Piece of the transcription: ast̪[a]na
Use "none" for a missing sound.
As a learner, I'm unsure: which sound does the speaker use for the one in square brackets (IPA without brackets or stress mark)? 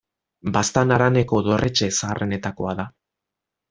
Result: a